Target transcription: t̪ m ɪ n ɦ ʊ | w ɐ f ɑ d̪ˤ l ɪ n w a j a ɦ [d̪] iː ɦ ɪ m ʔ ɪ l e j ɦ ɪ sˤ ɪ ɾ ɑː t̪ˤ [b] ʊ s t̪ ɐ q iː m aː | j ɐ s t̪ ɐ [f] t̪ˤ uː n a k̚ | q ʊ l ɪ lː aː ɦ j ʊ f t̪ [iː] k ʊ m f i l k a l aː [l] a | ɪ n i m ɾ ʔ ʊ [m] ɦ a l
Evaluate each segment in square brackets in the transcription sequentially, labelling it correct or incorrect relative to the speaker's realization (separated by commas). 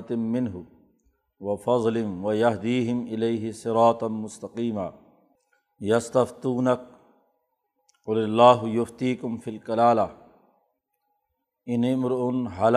correct, incorrect, correct, correct, correct, incorrect